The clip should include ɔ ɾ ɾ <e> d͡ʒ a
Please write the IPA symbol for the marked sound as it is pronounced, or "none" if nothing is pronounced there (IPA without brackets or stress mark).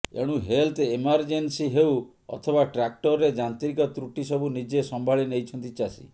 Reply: e